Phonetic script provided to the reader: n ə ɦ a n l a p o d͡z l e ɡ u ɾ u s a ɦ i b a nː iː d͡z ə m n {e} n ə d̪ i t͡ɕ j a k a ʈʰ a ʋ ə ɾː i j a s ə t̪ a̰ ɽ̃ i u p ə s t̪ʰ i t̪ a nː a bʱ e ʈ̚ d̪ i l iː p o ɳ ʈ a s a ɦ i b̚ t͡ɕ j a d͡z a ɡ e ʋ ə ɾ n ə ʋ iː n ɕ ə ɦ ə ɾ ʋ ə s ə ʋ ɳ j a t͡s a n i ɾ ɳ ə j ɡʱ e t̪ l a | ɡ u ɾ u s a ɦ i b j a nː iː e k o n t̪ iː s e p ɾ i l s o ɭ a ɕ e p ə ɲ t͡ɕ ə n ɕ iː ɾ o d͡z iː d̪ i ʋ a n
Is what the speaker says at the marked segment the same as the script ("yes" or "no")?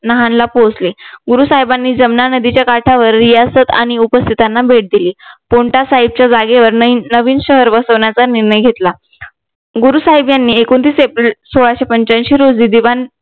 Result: no